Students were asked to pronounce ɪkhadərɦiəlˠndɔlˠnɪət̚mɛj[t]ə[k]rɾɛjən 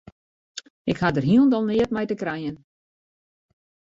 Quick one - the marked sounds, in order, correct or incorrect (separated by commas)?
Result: correct, correct